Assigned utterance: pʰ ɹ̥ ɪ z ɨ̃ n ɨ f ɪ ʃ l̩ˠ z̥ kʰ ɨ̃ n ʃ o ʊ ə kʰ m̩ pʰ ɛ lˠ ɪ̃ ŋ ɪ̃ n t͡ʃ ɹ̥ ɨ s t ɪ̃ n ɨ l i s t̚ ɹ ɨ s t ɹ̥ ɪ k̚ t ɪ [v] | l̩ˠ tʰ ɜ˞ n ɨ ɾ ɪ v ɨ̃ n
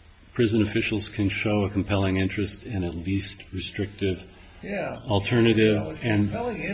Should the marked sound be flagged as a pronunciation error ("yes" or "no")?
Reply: no